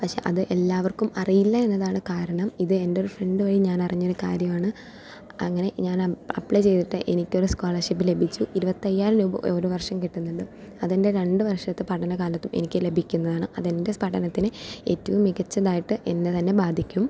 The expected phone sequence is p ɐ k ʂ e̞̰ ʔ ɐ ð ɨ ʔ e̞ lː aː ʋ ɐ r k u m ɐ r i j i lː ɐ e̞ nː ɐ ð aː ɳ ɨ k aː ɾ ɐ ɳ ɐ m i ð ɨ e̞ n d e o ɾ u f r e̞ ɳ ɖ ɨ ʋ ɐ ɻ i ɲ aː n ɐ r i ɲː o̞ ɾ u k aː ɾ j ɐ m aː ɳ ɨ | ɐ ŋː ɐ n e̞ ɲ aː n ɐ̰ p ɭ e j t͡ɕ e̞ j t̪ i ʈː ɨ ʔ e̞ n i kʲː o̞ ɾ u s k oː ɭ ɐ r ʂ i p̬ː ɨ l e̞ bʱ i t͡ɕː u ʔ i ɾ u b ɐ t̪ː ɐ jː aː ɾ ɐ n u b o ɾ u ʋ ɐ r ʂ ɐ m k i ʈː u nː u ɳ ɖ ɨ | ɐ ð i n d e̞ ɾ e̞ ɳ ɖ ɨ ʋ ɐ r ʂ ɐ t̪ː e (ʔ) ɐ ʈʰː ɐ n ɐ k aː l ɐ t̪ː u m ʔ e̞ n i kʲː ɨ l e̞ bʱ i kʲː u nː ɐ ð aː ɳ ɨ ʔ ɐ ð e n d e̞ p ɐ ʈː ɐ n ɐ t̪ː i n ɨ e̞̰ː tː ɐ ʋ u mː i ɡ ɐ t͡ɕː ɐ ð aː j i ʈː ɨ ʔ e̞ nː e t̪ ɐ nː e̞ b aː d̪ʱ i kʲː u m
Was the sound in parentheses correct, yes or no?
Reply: no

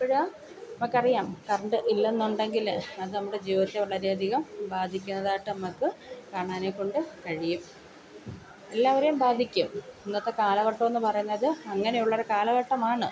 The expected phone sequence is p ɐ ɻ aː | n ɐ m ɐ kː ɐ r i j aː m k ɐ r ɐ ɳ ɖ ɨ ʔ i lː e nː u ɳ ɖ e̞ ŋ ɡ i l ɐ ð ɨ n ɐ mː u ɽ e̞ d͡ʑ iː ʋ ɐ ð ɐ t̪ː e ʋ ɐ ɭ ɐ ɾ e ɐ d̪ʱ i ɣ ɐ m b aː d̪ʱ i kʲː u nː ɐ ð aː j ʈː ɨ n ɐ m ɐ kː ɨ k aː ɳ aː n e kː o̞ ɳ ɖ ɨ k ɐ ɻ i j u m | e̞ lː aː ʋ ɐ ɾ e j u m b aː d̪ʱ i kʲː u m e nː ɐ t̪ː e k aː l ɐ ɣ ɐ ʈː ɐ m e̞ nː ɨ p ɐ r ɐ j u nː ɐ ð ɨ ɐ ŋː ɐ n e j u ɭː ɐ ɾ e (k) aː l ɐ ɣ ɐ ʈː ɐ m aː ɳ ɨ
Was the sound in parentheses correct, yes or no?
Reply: yes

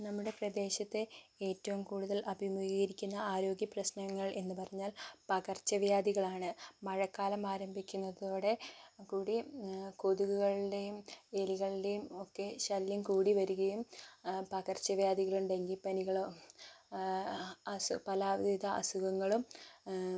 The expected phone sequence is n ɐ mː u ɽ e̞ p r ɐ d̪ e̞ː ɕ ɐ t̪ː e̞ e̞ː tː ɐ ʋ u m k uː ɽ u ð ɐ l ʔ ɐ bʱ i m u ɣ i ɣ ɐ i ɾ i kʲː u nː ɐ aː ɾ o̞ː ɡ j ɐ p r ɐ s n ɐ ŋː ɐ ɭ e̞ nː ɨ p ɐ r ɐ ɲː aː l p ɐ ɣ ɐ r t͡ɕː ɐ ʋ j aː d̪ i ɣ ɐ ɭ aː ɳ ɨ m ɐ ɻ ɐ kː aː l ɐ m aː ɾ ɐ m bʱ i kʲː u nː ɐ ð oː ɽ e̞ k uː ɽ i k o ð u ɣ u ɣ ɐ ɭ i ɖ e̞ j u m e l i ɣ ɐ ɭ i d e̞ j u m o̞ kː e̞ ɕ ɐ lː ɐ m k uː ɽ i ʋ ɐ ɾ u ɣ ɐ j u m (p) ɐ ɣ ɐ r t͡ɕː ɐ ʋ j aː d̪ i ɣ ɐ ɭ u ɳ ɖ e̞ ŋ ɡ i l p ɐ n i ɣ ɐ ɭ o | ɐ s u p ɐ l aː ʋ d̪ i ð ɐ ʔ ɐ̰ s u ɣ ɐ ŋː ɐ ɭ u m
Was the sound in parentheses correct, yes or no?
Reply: yes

